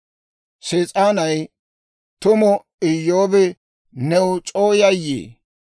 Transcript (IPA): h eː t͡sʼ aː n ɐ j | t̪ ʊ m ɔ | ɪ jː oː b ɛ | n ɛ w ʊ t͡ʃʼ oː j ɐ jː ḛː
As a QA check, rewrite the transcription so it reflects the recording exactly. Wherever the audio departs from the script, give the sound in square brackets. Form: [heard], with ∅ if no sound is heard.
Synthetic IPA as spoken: [s] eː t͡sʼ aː n ɐ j | t̪ ʊ m ɔ | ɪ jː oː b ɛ | n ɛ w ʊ t͡ʃʼ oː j ɐ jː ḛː